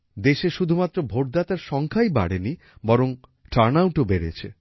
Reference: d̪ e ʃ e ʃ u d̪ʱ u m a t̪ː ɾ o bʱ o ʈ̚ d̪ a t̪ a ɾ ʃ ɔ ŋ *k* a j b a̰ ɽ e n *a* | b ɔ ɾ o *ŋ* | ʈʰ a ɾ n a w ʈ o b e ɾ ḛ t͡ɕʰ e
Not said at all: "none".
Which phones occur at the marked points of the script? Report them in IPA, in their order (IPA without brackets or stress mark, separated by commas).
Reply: kʰ, i, ŋ